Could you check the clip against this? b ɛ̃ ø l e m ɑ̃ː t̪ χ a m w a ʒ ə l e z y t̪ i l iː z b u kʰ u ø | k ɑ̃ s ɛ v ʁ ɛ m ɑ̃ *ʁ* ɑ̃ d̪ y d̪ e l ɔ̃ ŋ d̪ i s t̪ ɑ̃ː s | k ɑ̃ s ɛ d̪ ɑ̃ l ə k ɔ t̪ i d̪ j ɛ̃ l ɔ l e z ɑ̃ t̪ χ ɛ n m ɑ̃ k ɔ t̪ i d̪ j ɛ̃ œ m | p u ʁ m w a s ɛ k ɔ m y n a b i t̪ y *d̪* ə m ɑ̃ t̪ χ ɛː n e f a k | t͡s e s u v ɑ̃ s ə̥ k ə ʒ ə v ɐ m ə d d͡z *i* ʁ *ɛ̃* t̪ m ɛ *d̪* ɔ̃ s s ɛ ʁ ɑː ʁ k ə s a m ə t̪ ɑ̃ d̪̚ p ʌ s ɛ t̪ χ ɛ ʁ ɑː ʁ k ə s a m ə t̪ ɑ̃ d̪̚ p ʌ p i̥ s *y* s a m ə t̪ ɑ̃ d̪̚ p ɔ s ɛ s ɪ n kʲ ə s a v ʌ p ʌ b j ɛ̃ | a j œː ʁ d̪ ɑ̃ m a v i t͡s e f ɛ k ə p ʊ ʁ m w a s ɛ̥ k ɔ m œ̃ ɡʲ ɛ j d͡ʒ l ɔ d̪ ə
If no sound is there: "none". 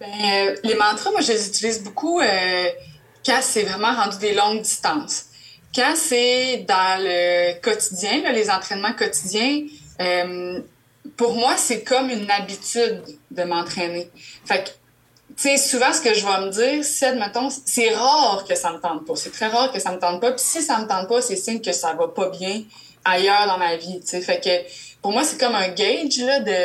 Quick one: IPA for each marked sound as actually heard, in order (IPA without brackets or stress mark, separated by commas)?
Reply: ʁ, d̪ː, iː, ɛ, t̪, i